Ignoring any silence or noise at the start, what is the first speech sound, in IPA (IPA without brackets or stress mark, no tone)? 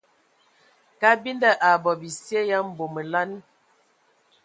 k